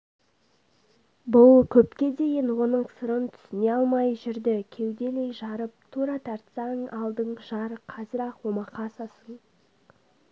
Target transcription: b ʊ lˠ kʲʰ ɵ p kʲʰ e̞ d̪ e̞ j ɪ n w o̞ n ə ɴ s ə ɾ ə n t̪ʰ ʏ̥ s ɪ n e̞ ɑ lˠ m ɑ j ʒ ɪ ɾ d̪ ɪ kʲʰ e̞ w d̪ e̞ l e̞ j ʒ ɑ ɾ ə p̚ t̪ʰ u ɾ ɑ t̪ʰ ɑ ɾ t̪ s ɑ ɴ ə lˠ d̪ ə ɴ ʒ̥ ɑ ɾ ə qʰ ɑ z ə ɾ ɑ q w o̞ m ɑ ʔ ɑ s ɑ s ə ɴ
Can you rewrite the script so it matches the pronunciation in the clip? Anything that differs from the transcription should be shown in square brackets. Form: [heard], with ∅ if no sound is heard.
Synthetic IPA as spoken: b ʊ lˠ kʲʰ ɵ p [kʲ] e̞ d̪ e̞ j ɪ n w o̞ n ə ɴ s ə ɾ ə n t̪ʰ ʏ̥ s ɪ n e̞ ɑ lˠ m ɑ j ʒ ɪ ɾ d̪ ɪ kʲʰ e̞ w d̪ e̞ l e̞ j ʒ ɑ ɾ ə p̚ t̪ʰ u ɾ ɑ t̪ʰ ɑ ɾ t̪ s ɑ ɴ [ɑ] lˠ d̪ ə ɴ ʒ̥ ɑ ɾ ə qʰ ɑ z ə ɾ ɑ q w o̞ m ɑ [q] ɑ s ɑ s ə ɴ